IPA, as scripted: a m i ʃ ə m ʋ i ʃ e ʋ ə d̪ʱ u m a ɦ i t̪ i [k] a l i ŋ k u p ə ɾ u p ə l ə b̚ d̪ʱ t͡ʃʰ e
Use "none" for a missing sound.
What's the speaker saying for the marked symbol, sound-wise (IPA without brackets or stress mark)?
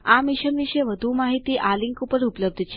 ʔ